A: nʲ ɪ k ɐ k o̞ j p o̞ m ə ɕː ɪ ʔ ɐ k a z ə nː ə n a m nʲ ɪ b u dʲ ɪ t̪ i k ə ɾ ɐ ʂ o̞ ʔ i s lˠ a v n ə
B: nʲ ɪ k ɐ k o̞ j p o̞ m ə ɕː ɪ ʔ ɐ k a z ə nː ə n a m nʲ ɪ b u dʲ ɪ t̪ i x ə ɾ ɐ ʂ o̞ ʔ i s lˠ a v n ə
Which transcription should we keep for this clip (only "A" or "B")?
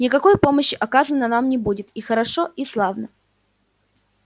B